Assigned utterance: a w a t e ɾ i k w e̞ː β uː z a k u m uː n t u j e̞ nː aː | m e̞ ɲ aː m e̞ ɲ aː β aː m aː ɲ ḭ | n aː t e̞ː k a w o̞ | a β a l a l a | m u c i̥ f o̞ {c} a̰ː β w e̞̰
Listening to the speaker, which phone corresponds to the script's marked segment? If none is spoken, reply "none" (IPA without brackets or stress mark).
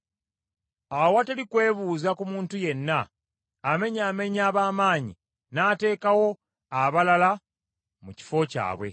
c